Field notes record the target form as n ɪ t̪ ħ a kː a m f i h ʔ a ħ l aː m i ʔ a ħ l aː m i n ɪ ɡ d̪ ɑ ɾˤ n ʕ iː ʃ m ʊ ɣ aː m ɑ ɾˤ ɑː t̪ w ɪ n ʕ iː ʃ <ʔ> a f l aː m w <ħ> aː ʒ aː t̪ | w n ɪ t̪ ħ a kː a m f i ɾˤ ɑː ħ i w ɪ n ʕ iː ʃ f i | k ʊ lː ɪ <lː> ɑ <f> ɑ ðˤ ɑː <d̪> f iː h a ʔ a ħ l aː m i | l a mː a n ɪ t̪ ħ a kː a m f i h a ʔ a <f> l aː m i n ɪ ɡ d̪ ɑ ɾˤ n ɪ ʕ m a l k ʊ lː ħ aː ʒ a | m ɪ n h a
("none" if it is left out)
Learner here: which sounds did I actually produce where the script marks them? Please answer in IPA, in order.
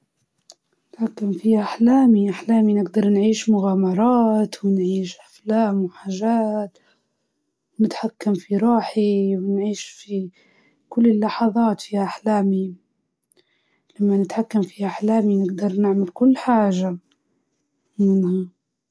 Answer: ʔ, ħ, lː, ħ, t̪, ħ

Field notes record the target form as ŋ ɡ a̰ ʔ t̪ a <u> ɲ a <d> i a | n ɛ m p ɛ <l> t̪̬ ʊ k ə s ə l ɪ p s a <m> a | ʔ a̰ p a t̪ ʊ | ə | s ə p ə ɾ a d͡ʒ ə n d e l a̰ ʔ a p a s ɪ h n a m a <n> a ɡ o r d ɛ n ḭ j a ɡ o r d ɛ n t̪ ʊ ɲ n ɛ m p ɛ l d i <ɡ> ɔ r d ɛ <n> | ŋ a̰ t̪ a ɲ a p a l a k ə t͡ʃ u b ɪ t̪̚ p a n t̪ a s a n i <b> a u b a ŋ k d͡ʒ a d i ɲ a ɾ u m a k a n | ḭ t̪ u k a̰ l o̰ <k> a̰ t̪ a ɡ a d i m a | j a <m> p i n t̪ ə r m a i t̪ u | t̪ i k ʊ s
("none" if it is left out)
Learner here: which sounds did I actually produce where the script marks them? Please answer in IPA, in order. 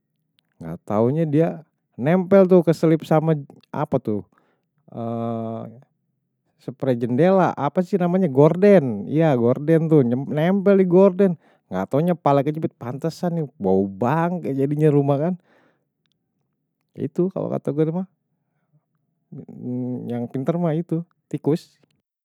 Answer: u, d, l, m, ɲ, ɡ, n, b, k, ŋ

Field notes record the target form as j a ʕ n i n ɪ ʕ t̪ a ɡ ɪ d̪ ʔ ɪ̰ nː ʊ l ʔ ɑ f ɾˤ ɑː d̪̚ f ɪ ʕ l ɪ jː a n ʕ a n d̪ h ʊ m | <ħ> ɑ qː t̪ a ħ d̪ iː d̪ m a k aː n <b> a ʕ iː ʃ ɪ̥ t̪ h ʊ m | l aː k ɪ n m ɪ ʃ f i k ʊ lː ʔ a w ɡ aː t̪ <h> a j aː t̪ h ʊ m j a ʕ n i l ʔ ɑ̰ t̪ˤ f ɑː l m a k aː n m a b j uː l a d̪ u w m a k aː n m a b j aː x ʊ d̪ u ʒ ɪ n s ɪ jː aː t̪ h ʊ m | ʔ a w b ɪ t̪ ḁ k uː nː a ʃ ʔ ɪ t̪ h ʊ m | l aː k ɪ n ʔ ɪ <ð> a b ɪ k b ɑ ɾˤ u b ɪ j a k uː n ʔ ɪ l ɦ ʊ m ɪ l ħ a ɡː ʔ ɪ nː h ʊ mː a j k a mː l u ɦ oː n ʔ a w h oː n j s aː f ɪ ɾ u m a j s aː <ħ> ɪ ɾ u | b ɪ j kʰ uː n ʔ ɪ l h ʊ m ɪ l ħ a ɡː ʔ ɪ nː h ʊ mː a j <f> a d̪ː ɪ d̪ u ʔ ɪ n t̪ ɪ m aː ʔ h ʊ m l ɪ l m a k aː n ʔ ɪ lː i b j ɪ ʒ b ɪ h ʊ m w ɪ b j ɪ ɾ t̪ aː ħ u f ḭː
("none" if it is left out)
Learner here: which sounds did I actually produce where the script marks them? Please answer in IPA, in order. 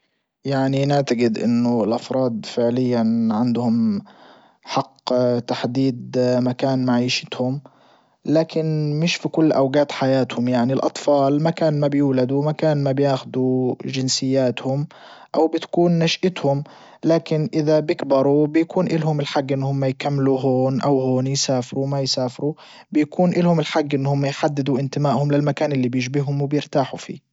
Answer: ħ, m, ħ, ð, f, ħ

